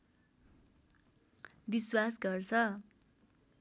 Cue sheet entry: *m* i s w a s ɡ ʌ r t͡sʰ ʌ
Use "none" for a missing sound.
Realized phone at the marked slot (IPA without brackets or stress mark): b